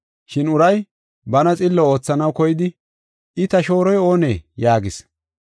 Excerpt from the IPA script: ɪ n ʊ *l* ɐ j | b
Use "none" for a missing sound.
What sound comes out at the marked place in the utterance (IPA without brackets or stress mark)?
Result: ɾ